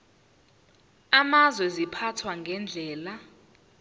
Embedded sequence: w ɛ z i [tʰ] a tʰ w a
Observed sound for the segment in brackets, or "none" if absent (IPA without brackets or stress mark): pʰ